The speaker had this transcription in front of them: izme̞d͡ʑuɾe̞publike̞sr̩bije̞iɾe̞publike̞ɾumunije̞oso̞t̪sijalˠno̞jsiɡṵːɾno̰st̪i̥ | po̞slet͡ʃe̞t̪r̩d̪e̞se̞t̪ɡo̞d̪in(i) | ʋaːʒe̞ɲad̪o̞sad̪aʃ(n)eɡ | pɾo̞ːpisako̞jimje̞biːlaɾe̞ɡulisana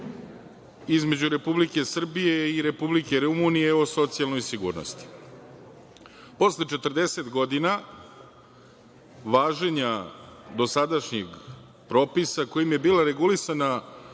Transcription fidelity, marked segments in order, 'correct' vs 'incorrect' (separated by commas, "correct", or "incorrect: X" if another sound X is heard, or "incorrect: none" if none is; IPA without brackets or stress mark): incorrect: a, incorrect: ɲ